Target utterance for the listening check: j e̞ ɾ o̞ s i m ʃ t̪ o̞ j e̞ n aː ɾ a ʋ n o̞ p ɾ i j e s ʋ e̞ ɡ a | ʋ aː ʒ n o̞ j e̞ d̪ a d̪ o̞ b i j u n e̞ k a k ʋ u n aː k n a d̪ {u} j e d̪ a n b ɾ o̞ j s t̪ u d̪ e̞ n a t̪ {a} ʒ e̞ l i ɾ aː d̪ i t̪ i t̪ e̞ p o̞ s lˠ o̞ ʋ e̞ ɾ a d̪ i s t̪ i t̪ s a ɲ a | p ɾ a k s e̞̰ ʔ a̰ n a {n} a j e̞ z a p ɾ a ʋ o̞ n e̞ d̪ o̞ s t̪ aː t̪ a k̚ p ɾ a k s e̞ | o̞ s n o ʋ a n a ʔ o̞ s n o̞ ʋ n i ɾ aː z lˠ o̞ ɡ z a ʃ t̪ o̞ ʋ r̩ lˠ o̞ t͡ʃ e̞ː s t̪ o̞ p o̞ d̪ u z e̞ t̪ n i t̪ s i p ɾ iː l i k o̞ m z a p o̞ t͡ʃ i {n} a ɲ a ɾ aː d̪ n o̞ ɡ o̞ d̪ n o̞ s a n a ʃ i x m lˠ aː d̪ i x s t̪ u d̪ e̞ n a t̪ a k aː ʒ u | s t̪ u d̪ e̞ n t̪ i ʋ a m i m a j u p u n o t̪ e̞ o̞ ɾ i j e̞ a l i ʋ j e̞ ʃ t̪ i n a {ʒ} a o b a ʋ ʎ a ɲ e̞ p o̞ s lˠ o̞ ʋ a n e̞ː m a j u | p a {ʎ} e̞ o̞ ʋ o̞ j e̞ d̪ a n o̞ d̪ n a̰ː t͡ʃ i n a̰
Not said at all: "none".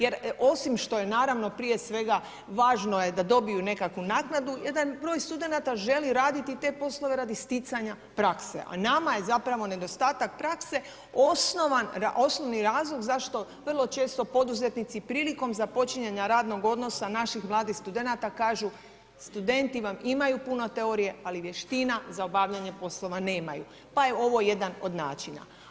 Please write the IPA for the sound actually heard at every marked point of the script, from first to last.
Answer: u, a, m, ɲ, z, j

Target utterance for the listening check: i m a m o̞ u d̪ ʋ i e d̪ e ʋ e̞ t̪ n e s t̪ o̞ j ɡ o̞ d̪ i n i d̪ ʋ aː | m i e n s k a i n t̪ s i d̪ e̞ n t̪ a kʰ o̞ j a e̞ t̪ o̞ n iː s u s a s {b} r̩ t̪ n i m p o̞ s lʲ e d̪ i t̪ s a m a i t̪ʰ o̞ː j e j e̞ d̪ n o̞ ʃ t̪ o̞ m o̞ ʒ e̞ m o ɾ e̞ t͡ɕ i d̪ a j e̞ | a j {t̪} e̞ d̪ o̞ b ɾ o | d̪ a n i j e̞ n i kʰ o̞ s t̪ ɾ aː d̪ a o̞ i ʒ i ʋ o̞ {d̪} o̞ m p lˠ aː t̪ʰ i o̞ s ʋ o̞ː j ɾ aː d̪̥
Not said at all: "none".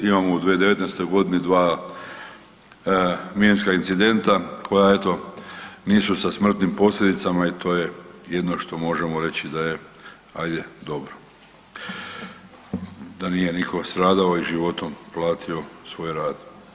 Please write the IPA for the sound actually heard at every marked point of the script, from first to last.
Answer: m, d̪, t̪

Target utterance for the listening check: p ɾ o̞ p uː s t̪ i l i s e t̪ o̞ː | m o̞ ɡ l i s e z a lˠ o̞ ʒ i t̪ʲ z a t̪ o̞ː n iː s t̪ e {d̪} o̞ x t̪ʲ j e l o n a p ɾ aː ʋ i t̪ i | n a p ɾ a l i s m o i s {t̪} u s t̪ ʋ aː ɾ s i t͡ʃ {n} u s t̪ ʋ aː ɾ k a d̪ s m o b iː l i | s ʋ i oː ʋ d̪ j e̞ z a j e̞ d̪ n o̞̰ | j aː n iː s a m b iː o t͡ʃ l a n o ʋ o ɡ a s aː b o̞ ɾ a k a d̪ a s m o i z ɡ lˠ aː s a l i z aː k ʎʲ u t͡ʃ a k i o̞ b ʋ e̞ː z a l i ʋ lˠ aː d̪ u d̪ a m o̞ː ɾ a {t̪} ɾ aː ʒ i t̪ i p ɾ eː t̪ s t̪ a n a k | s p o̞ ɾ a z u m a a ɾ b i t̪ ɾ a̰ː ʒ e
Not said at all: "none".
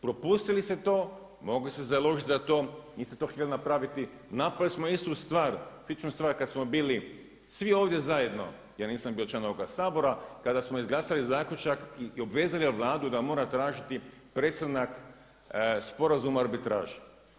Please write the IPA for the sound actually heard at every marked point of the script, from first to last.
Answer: t̪, t̪, n, t̪

